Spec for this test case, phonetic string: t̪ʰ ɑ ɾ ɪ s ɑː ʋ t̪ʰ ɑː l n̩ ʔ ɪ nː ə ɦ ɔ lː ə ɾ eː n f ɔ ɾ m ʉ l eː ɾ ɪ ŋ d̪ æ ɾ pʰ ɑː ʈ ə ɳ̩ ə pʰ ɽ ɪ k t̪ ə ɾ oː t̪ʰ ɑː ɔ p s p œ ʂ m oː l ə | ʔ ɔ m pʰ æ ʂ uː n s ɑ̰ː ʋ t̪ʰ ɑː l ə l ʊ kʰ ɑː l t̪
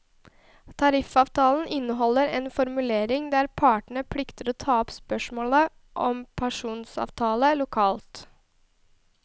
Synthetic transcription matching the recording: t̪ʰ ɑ ɾ ɪ f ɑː ʋ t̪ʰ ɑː l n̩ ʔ ɪ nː ə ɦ ɔ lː ə ɾ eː n f ɔ ɾ m ʉ l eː ɾ ɪ ŋ d̪ æ ɾ pʰ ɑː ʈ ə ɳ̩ ə pʰ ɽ ɪ k t̪ ə ɾ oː t̪ʰ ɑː ɔ p s p œ ʂ m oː l ə | ʔ ɔ m pʰ æ ʂ uː n s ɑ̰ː ʋ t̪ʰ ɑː l ə l ʊ kʰ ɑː l t̪